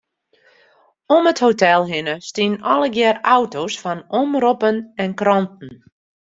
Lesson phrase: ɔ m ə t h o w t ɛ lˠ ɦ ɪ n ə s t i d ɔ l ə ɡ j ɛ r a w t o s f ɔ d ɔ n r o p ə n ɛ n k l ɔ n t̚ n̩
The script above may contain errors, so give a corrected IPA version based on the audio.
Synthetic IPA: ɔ m ə t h o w t ɛ lˠ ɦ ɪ n ə s t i n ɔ l ə ɡ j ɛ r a w t o s f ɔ n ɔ m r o p ə n ɛ n k r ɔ n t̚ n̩